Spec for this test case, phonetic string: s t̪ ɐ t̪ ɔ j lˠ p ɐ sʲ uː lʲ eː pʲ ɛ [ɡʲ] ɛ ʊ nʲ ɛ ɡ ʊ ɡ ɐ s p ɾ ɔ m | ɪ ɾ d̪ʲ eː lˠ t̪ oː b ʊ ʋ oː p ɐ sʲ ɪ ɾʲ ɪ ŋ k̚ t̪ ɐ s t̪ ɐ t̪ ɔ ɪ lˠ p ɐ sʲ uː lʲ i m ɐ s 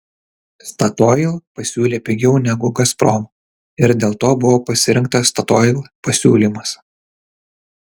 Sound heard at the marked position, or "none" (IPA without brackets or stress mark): ɡʲ